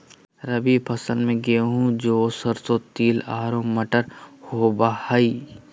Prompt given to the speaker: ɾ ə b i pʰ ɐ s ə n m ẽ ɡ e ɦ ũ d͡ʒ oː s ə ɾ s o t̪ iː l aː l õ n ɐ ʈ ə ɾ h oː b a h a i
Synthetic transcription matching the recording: ɾ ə b i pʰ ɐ s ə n m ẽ ɡ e ɦ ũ d͡ʒ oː s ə ɾ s o t̪ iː l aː ɾ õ m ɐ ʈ ə ɾ h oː b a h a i